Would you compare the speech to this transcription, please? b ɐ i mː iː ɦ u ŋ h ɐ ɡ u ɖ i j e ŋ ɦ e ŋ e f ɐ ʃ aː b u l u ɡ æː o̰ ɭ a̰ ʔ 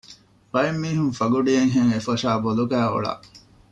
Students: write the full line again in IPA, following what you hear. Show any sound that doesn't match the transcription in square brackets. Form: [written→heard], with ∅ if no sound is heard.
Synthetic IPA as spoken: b ɐ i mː iː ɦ u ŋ [h→f] ɐ ɡ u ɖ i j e ŋ ɦ e ŋ e f ɐ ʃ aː b [u→o] l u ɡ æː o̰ ɭ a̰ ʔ

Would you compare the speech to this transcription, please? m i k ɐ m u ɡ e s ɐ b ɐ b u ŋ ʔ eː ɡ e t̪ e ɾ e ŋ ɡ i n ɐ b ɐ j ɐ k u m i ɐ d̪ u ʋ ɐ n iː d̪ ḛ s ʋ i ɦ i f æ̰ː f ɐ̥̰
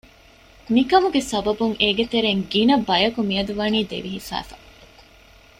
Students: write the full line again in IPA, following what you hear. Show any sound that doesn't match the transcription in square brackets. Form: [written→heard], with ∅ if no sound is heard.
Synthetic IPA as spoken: m i k ɐ m u ɡ e s ɐ b ɐ b u ŋ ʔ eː ɡ e t̪ e ɾ e ŋ ɡ i n ɐ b ɐ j ɐ k u m i ɐ d̪ u ʋ ɐ n iː d̪ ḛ [s→∅] ʋ i ɦ i f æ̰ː f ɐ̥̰

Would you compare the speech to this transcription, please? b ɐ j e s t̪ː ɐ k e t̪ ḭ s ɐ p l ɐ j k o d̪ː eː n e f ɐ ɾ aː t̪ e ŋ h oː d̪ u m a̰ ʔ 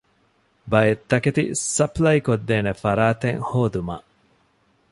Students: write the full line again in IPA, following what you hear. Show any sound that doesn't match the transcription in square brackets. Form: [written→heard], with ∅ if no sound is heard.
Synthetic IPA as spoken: b ɐ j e [s→∅] t̪ː ɐ k e t̪ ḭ s ɐ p l ɐ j k o d̪ː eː n e f ɐ ɾ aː t̪ e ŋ h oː d̪ u m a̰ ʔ

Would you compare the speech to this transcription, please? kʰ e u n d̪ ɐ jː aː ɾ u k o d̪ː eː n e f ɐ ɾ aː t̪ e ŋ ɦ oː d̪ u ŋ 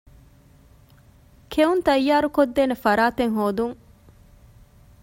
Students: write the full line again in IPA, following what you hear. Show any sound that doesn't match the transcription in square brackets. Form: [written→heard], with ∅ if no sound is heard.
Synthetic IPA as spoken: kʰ e u n [d̪→t̪] ɐ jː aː ɾ u k o d̪ː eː n e f ɐ ɾ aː t̪ e ŋ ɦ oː d̪ u ŋ

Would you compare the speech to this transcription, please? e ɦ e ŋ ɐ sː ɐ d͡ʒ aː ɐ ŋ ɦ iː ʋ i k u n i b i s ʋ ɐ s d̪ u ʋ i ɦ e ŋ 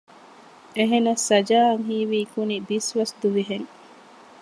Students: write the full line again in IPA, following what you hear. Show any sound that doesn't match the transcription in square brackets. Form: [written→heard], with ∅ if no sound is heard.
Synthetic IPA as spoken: e ɦ e [ŋ→n] ɐ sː ɐ d͡ʒ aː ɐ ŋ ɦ iː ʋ i k u n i b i s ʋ ɐ s d̪ u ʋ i ɦ e ŋ

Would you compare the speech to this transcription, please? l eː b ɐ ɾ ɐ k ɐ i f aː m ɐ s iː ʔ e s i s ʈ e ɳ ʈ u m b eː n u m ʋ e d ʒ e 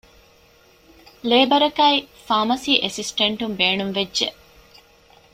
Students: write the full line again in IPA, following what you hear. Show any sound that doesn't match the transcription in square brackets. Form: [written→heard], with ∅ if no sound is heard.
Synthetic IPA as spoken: l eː b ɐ ɾ ɐ k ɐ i f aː m ɐ s iː ʔ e s i s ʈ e ɳ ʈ u m b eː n u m ʋ e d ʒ e

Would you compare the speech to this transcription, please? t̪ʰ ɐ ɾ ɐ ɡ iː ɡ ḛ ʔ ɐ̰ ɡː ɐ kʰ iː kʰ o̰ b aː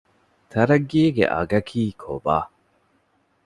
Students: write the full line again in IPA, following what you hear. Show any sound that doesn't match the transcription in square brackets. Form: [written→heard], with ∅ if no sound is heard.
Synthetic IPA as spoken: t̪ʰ ɐ ɾ ɐ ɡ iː ɡ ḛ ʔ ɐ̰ [ɡː→ɡ] ɐ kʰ iː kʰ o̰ b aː

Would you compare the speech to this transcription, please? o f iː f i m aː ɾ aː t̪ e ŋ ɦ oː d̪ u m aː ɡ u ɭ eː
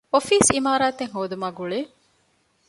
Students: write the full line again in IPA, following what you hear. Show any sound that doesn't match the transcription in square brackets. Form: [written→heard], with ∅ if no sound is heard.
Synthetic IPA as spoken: o f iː [f→s] i m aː ɾ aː t̪ e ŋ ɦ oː d̪ u m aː ɡ u ɭ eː

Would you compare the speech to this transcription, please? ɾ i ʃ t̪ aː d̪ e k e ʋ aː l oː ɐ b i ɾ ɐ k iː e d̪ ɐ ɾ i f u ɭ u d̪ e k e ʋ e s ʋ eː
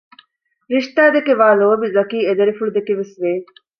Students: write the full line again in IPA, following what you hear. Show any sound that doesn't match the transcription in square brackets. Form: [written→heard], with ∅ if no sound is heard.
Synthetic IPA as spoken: ɾ i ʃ t̪ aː d̪ e k e ʋ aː l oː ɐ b i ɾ ɐ k iː e d̪ ɐ ɾ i f u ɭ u d̪ e k e ʋ e s ʋ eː

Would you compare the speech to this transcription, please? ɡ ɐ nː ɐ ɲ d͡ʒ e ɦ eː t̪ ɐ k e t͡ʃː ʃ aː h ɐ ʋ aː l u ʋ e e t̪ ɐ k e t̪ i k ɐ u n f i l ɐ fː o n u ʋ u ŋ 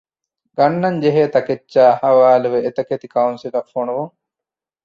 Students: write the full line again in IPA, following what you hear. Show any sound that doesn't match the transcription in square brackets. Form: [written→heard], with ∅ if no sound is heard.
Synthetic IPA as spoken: ɡ ɐ nː ɐ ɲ d͡ʒ e ɦ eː t̪ ɐ k e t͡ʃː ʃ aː h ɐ ʋ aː l u ʋ e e t̪ ɐ k e t̪ i k ɐ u n [f→s] i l ɐ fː o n u ʋ u ŋ

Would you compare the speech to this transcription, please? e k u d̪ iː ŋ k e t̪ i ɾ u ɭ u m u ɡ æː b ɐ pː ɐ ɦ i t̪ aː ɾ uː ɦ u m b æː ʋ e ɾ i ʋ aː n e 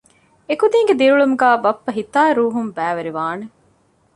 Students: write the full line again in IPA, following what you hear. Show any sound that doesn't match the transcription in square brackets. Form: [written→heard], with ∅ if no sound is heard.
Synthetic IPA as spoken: e k u d̪ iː ŋ [k→ɡ] e [t̪→d̪] i ɾ u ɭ u m u ɡ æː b ɐ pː ɐ ɦ i t̪ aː ɾ uː ɦ u m b æː ʋ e ɾ i ʋ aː n e

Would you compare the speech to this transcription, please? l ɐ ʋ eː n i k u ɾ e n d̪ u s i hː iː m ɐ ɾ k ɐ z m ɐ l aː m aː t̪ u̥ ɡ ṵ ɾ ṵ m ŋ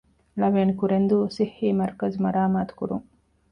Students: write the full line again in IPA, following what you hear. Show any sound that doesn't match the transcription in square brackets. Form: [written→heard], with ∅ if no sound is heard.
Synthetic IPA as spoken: l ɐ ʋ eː n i k u ɾ e n d̪ u s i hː iː m ɐ ɾ k ɐ z m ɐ [l→ɾ] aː m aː t̪ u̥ [ɡ→k] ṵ ɾ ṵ [m→∅] ŋ

